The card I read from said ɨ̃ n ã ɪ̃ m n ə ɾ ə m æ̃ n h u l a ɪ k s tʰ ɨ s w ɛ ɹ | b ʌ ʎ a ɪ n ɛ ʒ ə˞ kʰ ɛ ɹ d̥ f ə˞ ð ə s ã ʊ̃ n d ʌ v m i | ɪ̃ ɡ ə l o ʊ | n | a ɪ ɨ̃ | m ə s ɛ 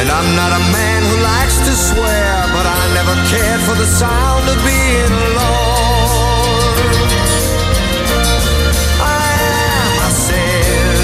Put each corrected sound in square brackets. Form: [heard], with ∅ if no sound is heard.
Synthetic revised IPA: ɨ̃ n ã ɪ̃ m n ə ɾ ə m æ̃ n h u l a ɪ k s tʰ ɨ s w ɛ ɹ | b ʌ [ɾ] a ɪ n ɛ [v] ə˞ kʰ ɛ ɹ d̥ f ə˞ ð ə s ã ʊ̃ n d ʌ v [b] i | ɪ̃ [ŋ] ə l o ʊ | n | a ɪ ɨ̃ | m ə s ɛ